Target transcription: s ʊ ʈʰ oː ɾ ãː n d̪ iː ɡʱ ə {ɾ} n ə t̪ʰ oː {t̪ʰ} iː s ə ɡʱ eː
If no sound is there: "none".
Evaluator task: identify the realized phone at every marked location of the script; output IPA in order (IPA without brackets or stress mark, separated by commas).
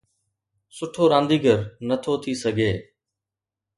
ɾ, t̪ʰ